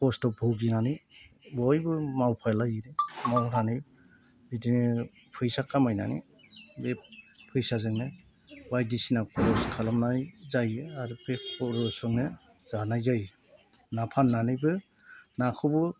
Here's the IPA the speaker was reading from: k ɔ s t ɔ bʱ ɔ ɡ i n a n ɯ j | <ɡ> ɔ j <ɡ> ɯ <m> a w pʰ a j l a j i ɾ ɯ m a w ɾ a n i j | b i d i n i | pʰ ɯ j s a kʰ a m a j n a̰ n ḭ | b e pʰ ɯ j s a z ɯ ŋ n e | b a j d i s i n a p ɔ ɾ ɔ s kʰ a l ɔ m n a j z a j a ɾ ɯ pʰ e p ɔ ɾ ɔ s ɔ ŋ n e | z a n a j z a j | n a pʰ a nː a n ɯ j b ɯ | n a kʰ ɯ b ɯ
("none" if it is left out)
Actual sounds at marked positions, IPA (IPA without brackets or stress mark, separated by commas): b, b, m